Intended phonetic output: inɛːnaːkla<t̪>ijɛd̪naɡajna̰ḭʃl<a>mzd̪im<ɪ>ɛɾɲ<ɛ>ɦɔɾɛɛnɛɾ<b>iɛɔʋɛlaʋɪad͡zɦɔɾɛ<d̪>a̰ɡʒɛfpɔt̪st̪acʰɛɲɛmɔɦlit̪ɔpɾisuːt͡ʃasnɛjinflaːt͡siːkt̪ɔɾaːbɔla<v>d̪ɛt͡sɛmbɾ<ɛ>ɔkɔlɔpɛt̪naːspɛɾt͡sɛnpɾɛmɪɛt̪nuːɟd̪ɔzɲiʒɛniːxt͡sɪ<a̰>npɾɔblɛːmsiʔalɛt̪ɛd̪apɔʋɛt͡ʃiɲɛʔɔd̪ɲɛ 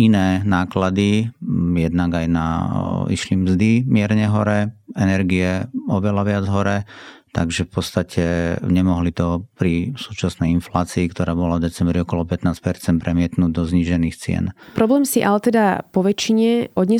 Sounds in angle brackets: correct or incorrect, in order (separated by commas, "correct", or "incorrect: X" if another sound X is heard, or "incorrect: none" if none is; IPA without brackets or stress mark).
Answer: incorrect: d̪, incorrect: i, correct, correct, incorrect: ɡ, incorrect: t̪, correct, incorrect: i, incorrect: ɛ̰